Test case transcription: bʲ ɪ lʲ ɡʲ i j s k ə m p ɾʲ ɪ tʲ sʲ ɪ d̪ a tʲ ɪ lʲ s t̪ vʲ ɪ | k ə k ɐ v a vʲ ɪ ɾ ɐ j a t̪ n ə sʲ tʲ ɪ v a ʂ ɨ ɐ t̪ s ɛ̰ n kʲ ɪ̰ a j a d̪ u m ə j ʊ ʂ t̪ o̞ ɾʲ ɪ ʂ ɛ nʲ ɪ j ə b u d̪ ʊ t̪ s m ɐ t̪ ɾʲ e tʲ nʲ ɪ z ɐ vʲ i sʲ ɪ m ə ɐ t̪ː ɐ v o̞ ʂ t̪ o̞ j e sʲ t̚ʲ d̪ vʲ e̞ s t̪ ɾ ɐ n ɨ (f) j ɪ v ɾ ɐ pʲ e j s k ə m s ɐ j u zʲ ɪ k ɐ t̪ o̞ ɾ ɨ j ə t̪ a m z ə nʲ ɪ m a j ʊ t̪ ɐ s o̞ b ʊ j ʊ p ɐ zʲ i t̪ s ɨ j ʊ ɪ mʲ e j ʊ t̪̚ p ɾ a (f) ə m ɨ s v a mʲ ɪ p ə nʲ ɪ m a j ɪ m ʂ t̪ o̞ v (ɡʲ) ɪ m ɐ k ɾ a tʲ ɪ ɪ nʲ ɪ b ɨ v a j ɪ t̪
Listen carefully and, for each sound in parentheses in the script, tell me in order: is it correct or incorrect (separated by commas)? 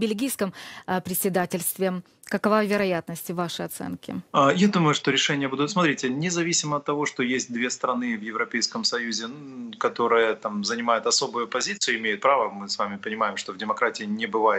incorrect, incorrect, incorrect